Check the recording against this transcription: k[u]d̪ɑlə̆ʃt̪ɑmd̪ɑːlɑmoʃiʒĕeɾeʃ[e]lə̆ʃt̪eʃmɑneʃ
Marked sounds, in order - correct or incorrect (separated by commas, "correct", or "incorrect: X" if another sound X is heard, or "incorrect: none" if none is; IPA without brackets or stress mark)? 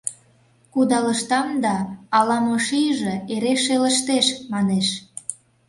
correct, correct